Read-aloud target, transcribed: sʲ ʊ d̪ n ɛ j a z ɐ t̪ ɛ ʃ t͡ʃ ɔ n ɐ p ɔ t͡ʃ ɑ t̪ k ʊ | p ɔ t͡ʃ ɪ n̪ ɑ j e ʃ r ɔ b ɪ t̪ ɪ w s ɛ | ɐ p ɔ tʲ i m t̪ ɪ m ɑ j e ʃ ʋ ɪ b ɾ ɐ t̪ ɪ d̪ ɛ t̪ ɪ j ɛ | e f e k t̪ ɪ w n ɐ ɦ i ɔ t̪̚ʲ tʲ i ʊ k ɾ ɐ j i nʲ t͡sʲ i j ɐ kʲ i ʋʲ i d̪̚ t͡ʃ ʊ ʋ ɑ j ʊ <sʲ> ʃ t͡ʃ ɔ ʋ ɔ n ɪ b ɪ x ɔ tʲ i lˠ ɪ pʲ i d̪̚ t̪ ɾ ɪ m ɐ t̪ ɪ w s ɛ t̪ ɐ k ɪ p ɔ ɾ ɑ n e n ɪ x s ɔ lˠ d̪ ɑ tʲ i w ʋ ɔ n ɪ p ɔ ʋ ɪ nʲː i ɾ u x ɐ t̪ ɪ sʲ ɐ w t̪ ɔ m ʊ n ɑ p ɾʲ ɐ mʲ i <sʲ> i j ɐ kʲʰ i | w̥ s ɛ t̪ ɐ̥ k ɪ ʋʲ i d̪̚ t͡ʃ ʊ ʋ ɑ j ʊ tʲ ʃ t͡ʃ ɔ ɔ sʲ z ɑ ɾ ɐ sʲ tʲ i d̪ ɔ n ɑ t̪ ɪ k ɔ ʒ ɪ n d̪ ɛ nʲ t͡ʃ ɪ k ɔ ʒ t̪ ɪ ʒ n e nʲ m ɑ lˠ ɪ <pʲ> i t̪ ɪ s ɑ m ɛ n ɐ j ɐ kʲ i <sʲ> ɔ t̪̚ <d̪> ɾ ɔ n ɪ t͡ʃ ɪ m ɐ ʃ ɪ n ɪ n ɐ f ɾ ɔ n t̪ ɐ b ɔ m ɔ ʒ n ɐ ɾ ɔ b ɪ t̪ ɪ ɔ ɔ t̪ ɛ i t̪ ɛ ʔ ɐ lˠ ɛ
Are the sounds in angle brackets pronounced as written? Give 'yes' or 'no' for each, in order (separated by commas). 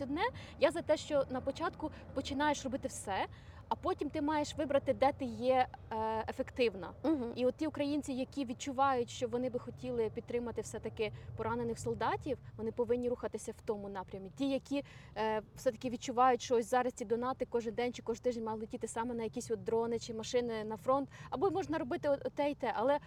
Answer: no, no, no, yes, yes